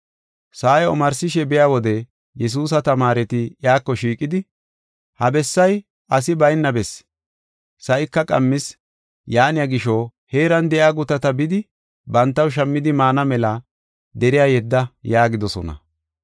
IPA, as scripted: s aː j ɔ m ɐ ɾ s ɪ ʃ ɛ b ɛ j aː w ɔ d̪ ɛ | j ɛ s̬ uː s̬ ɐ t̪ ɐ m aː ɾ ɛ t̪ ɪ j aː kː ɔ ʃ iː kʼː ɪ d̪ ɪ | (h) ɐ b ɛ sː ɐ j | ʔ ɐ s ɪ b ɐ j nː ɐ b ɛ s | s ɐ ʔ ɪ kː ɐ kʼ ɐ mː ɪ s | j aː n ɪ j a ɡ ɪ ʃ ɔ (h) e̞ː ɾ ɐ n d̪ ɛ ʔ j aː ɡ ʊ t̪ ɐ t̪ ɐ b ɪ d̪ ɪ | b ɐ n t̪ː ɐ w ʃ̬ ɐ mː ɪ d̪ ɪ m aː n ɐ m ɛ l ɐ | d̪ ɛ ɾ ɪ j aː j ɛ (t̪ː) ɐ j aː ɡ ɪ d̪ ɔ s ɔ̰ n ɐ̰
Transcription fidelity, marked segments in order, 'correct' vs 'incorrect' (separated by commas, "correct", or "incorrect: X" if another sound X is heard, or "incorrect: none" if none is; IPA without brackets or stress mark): correct, correct, incorrect: d̪ː